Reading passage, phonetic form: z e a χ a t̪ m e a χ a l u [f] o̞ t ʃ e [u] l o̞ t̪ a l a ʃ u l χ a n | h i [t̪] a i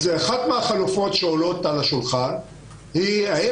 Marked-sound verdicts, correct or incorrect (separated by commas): correct, incorrect, incorrect